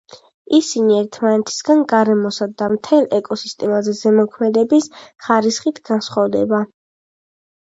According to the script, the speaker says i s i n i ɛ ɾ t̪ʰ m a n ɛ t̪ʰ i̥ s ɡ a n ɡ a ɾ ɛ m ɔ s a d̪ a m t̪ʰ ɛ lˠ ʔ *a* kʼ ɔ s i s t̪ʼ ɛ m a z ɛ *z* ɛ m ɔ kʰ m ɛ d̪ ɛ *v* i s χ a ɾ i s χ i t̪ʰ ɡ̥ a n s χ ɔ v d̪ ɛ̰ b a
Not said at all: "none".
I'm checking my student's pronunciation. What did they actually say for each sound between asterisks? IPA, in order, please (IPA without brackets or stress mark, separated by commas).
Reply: ɛ, z, b